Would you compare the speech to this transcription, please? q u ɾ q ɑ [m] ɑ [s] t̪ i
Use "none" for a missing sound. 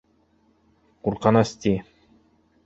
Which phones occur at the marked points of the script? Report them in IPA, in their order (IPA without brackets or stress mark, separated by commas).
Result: n, s